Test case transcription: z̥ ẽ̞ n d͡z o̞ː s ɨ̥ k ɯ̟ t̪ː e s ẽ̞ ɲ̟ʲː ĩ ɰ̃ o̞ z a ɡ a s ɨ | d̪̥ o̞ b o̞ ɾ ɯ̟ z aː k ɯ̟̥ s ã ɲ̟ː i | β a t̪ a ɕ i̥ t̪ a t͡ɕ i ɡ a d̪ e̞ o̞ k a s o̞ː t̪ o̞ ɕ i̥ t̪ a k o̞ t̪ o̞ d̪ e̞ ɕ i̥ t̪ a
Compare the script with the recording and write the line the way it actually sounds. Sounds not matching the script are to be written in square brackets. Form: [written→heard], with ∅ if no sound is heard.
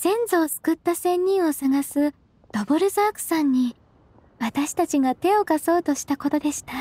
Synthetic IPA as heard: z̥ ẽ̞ n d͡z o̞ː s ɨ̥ k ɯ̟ t̪ː [e→a] s ẽ̞ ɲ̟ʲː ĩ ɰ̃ o̞ [z→s] a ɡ a s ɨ | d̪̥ o̞ b o̞ ɾ ɯ̟ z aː k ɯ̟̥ s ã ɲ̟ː i | β a t̪ a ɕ i̥ t̪ a t͡ɕ i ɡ a [d̪→t̪] e̞ o̞ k a s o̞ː t̪ o̞ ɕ i̥ t̪ a k o̞ t̪ o̞ d̪ e̞ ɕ i̥ t̪ a